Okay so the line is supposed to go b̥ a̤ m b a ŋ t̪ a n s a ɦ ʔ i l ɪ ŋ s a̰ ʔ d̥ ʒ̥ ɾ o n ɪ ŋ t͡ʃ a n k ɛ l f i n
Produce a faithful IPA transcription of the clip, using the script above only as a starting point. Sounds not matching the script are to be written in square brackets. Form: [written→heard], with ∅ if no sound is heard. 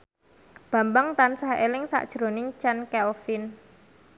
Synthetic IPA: b̥ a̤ m b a ŋ t̪ a n s a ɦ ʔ [i→e] l ɪ ŋ s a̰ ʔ d̥ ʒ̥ ɾ o n ɪ ŋ t͡ʃ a n k ɛ l f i n